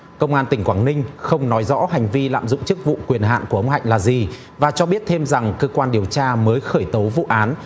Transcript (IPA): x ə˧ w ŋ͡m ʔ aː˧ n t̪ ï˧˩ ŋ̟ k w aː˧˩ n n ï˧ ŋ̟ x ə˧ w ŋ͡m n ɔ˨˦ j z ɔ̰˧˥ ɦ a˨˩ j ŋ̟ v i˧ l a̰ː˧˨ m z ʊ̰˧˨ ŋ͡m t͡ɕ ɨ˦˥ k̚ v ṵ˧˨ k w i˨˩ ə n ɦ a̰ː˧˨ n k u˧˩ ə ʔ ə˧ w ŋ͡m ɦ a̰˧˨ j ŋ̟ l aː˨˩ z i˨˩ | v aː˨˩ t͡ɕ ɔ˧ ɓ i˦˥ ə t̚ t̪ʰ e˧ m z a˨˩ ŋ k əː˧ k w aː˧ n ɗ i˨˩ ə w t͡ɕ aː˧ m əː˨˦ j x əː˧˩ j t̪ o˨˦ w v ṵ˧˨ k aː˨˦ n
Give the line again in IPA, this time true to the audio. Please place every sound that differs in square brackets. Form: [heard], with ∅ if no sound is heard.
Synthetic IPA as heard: [k] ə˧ w ŋ͡m ʔ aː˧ n t̪ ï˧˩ ŋ̟ k w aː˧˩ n n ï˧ ŋ̟ x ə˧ w ŋ͡m n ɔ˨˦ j z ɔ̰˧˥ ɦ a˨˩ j ŋ̟ v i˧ l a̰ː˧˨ m z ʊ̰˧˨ ŋ͡m t͡ɕ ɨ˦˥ k̚ v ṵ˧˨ k w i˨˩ ə n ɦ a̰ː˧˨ n k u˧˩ ə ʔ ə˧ w ŋ͡m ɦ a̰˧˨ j ŋ̟ l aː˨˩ z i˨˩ | v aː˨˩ t͡ɕ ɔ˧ ɓ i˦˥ ə t̚ t̪ʰ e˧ m z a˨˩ ŋ k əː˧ k w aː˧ n ɗ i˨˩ ə w t͡ɕ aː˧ m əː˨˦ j x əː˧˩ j t̪ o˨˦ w v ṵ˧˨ [ʔ] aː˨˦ n